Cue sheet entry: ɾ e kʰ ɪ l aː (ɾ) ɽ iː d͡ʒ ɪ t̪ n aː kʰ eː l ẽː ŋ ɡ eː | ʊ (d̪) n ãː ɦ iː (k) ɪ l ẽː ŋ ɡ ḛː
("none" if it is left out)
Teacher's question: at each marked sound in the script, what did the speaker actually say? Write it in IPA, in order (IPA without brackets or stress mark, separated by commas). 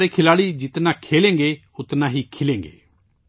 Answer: none, t̪, kʰ